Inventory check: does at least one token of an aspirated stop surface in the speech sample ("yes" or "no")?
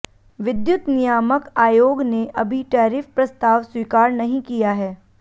no